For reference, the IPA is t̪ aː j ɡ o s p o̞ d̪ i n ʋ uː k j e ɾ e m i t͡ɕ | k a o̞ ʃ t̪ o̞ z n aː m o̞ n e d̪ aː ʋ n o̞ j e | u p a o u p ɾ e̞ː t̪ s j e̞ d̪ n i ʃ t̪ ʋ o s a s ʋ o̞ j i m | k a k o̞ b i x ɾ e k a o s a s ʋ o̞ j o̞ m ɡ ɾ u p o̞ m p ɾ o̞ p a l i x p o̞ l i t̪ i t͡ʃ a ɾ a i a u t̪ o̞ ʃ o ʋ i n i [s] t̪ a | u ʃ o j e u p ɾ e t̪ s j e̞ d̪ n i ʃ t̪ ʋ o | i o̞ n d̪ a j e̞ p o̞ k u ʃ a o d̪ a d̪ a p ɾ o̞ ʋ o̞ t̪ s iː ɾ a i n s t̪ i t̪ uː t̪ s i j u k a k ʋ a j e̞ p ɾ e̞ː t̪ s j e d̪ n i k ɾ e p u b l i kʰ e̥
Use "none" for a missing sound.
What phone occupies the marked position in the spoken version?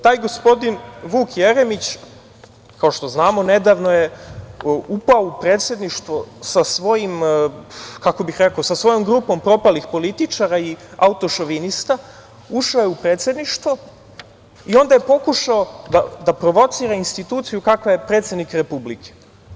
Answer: s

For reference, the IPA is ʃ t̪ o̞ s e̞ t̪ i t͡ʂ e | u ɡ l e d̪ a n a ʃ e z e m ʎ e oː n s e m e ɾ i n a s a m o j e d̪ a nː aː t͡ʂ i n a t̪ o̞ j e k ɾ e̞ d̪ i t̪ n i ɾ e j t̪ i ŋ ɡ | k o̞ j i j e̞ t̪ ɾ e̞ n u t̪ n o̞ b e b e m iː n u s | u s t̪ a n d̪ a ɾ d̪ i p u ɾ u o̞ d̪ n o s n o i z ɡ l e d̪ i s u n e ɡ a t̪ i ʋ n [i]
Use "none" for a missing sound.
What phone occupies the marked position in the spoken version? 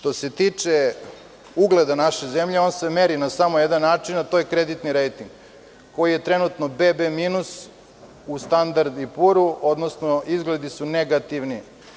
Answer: i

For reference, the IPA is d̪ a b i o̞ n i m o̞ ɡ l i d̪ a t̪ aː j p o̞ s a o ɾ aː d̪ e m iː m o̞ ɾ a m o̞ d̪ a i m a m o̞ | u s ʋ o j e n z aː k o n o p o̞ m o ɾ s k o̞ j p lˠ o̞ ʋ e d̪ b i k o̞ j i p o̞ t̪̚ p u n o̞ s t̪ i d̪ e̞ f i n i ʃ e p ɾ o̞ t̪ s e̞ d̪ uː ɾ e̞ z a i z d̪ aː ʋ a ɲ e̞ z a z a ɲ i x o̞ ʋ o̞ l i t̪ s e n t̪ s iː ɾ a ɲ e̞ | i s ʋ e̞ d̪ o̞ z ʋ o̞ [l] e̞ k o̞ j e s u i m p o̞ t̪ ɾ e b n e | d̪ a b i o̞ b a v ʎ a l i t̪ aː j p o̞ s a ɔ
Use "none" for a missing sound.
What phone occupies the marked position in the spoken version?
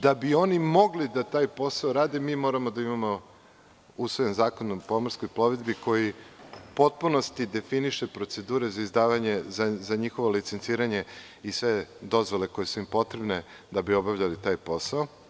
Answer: l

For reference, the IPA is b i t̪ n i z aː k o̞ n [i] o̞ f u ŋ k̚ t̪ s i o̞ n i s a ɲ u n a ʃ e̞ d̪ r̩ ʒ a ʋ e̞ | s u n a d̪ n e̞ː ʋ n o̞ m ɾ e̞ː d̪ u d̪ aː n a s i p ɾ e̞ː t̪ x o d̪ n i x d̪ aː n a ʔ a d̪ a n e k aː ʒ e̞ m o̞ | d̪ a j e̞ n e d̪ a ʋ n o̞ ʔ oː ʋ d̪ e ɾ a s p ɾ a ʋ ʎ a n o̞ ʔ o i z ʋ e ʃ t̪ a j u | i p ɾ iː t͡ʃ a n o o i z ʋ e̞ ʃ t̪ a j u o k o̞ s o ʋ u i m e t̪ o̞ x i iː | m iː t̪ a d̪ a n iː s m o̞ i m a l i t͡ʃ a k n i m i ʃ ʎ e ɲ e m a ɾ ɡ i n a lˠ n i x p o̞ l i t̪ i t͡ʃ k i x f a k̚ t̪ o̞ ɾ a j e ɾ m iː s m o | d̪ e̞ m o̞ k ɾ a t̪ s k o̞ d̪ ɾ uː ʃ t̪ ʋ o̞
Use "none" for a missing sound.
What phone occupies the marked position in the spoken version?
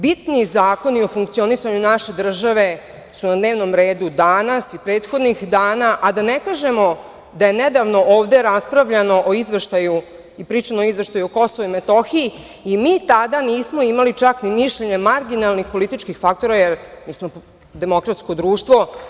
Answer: i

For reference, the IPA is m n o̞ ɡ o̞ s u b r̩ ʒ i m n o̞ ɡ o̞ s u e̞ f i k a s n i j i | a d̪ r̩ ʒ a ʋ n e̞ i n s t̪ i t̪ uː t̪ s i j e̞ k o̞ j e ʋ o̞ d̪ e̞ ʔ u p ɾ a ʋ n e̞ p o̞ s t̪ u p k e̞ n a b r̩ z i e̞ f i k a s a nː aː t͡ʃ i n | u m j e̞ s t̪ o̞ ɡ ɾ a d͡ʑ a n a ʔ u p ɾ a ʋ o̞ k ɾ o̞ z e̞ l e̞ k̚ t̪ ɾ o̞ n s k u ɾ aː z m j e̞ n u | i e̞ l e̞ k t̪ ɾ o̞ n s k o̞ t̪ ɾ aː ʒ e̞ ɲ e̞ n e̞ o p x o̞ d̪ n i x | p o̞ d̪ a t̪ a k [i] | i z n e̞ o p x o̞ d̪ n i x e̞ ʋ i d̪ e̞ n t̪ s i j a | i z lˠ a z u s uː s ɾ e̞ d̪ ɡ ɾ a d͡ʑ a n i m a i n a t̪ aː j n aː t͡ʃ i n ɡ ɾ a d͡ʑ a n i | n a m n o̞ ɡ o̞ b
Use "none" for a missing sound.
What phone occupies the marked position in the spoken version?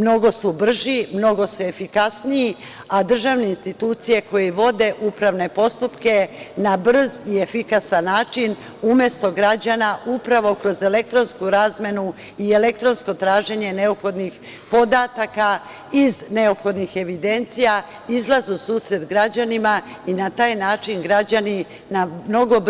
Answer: a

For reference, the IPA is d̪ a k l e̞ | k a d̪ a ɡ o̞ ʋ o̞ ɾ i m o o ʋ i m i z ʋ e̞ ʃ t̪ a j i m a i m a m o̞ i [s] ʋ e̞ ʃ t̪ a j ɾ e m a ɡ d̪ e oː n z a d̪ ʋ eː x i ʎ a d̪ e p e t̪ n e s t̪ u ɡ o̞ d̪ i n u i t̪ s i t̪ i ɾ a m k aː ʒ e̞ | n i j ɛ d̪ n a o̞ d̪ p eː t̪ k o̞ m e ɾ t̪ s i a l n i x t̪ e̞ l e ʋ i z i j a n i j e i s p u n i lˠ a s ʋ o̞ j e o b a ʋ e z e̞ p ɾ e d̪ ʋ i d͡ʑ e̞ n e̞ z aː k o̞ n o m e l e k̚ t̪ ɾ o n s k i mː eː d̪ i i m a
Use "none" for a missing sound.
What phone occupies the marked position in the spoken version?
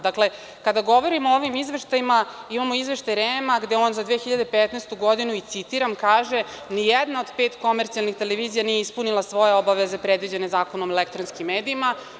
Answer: z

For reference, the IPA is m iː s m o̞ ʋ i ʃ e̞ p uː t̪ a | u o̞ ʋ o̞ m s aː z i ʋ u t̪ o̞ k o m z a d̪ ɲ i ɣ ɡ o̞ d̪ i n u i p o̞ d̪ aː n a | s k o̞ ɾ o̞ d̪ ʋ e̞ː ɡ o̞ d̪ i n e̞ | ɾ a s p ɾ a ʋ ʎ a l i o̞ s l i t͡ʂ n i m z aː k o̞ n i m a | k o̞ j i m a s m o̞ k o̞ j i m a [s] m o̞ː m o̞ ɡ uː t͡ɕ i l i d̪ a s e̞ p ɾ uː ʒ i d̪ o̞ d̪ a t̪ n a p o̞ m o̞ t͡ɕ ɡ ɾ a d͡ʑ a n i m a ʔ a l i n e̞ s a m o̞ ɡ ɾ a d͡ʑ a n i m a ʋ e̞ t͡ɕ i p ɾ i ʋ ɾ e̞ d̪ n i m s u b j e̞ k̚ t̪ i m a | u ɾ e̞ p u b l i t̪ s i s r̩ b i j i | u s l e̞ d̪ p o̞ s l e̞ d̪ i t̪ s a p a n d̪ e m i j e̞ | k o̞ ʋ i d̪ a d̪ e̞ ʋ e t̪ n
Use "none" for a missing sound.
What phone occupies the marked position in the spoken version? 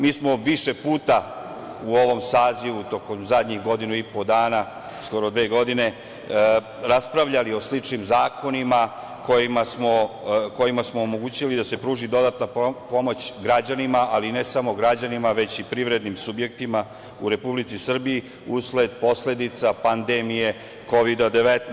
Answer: s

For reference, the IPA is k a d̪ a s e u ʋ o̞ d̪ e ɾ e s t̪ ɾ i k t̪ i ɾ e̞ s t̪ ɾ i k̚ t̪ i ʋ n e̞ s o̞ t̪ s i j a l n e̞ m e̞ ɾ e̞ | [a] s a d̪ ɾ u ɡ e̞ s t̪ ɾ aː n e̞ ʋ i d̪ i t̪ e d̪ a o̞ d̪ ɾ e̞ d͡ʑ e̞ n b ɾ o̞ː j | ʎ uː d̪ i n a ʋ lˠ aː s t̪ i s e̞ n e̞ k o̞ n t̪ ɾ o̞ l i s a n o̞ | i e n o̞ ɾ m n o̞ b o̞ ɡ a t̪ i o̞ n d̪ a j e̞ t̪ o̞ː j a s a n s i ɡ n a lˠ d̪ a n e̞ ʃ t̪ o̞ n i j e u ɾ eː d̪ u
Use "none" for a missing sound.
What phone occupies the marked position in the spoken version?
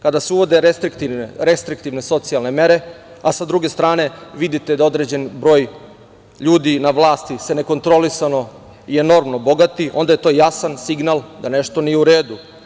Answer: a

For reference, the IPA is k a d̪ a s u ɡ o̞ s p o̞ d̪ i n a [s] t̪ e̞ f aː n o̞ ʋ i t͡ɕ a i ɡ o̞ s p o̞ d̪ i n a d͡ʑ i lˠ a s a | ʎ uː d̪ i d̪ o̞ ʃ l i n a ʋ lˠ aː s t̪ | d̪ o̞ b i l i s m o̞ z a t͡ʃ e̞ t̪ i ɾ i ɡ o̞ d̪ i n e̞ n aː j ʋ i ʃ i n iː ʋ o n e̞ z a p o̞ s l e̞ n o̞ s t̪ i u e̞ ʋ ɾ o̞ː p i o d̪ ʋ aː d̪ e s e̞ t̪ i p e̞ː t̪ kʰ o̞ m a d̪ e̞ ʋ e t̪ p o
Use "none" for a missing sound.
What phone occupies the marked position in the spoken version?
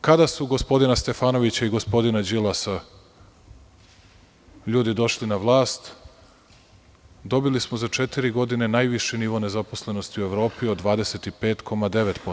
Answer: s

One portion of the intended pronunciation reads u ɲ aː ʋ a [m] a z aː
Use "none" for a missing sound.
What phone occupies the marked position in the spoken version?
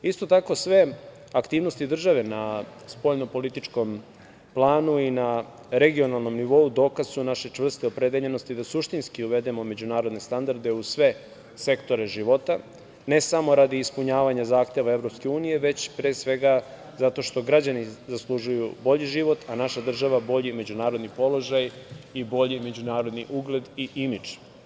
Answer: ɲ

